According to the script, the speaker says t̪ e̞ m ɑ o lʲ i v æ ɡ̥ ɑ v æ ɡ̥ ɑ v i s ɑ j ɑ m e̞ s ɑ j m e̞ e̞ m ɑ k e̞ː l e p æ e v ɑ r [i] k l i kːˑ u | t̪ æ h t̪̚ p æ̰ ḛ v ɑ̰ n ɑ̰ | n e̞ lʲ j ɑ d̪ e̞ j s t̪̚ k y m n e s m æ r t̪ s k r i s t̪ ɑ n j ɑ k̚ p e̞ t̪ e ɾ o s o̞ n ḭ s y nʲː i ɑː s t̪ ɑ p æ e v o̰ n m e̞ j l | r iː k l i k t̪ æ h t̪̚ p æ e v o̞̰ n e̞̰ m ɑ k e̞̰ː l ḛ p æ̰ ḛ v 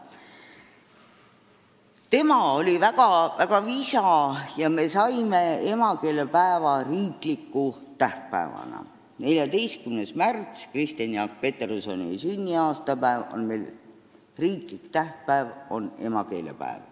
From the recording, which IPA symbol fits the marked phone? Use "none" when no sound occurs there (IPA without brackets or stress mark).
iː